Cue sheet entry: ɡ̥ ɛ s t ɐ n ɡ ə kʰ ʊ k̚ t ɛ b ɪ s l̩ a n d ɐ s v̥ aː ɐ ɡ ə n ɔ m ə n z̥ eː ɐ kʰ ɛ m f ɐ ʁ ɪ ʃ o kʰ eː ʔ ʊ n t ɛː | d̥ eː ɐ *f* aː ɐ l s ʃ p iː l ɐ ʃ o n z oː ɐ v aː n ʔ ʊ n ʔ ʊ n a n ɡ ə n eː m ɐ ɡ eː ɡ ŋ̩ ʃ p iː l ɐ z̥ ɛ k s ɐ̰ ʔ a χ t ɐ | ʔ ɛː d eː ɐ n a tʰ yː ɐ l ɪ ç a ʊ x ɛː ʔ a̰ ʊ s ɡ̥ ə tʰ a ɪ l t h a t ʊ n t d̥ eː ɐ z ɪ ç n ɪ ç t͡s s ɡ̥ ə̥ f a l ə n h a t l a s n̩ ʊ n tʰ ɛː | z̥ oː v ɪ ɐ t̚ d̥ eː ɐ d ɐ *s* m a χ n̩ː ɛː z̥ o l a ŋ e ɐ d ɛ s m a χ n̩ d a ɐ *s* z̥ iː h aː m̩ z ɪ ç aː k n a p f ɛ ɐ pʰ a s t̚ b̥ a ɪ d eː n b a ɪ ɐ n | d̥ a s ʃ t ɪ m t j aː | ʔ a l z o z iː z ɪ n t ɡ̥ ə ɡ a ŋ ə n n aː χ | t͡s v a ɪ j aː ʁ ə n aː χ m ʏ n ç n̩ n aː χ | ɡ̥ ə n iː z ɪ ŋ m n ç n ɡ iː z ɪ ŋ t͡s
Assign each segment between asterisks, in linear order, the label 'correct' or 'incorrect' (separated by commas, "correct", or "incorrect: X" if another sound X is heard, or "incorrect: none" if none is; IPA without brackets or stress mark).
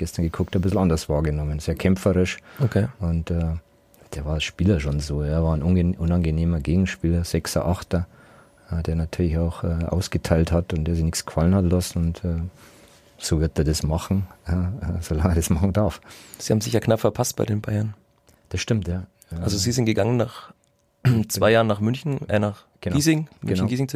incorrect: v, correct, incorrect: f